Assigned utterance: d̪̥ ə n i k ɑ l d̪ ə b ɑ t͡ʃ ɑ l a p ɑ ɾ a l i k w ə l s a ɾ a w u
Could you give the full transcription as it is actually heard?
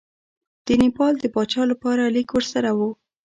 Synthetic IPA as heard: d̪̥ ə n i p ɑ l d̪ ə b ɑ t͡ʃ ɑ l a p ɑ ɾ a l i k w ə ɾ s a ɾ a w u